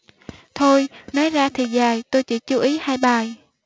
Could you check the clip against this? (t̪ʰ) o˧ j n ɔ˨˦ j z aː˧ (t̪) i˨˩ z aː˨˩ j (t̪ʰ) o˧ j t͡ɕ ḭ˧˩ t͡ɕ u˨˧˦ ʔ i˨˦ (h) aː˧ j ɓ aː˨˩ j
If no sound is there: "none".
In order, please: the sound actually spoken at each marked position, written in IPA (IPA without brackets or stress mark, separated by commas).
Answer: t̪ʰ, t̪ʰ, t̪, h